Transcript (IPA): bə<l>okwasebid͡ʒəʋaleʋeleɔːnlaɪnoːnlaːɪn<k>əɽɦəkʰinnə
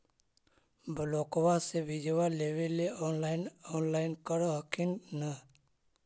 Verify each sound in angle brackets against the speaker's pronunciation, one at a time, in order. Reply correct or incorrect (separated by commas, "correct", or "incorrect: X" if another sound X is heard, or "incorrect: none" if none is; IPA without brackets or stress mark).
correct, correct